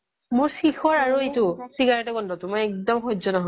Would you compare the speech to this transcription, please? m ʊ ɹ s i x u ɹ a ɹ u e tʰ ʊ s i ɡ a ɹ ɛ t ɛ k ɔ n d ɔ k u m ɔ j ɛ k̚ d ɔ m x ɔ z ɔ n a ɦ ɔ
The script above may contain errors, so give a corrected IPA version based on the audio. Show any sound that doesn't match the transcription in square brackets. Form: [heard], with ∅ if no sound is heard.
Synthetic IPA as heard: m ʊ ɹ s i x [ɔ] ɹ a ɹ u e [t] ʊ s i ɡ a ɹ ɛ t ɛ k ɔ n d ɔ [t] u m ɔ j ɛ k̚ d ɔ m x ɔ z ɔ n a ɦ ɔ